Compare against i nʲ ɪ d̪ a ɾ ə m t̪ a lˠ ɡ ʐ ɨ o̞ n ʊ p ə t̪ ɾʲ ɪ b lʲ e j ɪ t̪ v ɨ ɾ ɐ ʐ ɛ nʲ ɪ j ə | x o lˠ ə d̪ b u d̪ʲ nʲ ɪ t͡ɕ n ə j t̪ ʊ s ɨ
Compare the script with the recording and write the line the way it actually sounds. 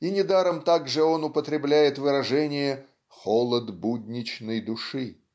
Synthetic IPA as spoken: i nʲ ɪ d̪ a ɾ ə m t̪ a ɡ ʐ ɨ o̞ n ʊ p ə t̪ ɾʲ ɪ b lʲ æ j ɪ t̪ v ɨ ɾ ɐ ʐ ɛ nʲ ɪ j ə | x o lˠ ə d̪ b u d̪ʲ nʲ ɪ t͡ɕ n ə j d̪ ʊ ʂ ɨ